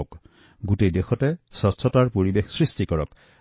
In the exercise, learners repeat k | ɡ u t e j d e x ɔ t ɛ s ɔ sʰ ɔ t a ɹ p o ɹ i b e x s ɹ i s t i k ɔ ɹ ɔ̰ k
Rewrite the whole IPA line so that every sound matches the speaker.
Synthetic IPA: k | ɡ u t e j d e x ɔ t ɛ s ɔ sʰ ɔ t a ɹ p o ɹ i b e x s ɹ i s t i k ɔ ɹ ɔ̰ k